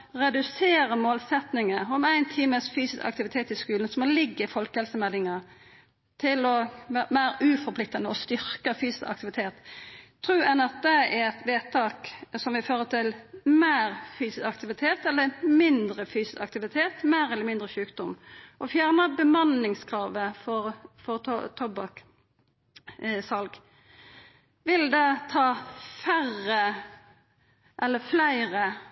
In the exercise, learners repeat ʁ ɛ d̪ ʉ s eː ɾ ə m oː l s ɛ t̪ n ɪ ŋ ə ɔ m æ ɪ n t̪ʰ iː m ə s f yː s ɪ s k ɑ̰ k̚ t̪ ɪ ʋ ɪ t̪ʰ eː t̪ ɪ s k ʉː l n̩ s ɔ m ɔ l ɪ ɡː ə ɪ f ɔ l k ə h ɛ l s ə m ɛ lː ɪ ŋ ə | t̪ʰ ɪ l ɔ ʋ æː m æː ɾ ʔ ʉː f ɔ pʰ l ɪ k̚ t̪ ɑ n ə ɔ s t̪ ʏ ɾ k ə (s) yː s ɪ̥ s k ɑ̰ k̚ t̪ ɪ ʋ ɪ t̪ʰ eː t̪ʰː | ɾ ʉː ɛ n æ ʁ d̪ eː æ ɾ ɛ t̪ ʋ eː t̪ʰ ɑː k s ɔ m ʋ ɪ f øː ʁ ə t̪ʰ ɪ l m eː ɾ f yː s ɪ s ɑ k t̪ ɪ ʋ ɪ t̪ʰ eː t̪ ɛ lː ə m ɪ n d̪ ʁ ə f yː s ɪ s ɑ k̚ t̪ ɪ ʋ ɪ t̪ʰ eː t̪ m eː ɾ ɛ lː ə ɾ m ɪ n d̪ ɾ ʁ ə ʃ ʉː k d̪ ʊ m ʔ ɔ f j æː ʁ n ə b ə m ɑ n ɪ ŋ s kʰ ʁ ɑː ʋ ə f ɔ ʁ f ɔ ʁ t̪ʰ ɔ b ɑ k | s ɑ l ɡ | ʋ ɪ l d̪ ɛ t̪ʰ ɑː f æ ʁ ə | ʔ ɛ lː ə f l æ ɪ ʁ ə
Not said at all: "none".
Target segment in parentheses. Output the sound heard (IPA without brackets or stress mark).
f